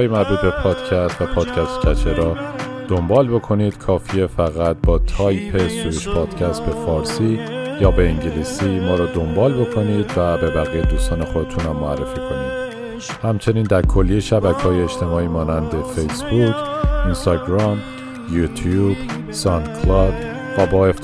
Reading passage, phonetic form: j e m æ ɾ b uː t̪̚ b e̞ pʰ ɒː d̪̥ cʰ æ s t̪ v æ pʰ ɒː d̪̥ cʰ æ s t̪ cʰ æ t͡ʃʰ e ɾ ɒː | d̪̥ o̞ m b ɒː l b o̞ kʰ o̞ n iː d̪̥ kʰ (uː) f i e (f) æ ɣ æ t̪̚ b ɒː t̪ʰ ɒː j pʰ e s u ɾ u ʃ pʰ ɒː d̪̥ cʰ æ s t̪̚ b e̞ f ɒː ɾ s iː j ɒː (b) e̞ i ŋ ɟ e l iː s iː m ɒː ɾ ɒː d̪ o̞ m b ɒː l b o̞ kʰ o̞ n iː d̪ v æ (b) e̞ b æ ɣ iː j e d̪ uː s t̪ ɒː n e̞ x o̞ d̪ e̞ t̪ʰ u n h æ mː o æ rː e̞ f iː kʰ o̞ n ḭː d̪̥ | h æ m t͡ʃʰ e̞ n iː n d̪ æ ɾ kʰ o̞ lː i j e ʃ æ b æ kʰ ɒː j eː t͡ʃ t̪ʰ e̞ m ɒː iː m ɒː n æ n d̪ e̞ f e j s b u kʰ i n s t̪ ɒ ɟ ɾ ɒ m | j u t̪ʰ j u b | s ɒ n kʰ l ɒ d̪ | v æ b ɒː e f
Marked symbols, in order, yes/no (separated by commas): no, yes, yes, yes